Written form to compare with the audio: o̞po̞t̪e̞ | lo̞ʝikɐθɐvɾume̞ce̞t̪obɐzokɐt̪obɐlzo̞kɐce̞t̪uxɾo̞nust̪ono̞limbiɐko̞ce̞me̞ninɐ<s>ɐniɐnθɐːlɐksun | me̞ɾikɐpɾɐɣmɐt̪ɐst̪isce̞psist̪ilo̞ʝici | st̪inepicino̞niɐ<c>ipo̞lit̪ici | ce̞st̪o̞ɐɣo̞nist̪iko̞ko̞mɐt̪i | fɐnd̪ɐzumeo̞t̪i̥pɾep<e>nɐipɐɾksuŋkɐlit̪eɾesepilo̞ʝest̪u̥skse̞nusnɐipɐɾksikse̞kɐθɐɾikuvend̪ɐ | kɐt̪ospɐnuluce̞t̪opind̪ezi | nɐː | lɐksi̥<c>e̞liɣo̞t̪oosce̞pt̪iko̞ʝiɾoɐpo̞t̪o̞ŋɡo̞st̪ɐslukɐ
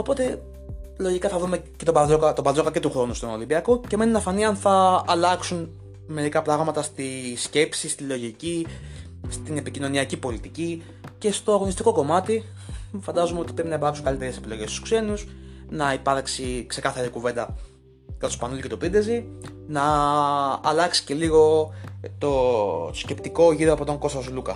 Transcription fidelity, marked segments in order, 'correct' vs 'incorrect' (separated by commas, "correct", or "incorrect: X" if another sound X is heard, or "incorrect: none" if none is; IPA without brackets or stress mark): incorrect: f, correct, incorrect: i, correct